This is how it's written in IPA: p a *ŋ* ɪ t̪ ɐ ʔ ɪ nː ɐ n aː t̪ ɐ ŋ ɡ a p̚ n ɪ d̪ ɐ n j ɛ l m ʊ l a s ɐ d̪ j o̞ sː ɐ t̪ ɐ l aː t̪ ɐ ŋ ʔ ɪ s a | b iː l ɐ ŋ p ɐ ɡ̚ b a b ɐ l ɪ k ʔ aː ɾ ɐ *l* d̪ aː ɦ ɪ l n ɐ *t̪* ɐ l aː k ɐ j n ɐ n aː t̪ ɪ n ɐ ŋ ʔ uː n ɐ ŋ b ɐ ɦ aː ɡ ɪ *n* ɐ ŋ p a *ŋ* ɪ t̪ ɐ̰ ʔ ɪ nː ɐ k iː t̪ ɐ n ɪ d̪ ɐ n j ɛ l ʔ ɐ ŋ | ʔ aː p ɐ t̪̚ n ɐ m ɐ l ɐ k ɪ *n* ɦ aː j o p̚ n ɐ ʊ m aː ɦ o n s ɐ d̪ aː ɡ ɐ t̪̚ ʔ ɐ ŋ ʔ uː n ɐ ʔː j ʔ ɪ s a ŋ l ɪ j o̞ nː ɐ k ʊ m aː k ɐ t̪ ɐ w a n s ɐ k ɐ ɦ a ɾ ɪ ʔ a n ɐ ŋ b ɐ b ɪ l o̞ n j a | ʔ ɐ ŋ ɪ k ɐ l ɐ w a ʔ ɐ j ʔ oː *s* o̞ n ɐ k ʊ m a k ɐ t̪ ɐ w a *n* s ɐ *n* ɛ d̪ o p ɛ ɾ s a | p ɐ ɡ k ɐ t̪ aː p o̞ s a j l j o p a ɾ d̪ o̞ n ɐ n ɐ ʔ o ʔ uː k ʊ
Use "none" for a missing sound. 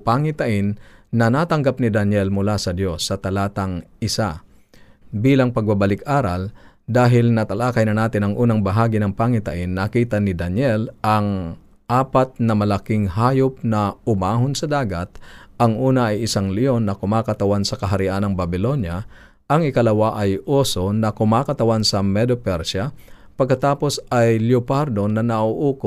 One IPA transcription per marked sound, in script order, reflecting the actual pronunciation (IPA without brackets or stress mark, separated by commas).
ŋ, l, t̪, n, ŋ, ŋ, s, n, m